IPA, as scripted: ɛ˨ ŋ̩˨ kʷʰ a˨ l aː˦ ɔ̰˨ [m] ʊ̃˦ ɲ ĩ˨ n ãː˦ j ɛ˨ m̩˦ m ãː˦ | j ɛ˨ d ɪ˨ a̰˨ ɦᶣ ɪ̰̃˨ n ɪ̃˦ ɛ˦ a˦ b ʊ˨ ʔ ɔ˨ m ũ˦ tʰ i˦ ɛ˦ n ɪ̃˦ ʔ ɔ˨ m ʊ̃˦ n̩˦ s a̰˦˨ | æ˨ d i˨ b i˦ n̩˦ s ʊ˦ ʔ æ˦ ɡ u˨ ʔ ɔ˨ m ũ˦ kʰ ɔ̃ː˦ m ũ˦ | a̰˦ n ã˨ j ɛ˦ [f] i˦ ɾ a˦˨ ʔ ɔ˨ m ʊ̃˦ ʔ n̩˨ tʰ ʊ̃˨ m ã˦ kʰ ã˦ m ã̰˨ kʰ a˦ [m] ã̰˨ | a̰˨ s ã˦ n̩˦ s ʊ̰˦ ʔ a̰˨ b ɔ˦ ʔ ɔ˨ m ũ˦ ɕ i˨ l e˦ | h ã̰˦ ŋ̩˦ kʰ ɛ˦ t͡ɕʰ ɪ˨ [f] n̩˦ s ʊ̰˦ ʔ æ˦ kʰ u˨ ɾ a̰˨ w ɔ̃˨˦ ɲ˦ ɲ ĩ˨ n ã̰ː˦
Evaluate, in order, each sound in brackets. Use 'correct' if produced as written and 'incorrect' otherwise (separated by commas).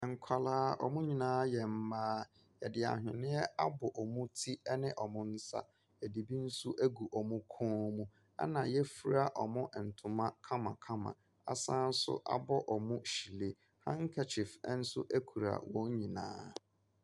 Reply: correct, correct, correct, correct